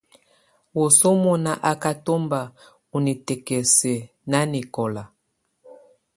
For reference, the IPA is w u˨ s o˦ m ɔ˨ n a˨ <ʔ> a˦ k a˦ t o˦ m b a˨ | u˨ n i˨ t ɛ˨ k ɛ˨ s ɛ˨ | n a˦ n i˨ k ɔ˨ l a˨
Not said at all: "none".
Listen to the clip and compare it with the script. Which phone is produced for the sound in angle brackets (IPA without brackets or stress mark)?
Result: ʔ